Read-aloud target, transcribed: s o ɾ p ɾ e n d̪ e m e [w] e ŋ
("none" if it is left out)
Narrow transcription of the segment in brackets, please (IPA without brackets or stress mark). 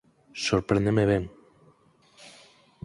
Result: β